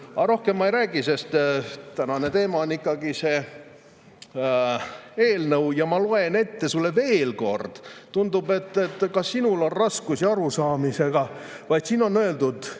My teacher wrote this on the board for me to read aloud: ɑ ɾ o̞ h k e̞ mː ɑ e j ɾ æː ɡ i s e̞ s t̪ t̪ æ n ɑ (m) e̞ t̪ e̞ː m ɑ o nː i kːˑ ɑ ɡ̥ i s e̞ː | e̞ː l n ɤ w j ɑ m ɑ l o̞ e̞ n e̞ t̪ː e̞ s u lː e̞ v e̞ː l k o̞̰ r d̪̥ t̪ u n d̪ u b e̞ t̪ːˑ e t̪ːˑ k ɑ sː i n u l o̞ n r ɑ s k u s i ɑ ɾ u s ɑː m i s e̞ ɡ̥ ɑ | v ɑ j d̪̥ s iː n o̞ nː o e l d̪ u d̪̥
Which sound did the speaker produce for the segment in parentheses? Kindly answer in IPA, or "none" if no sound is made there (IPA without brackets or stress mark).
n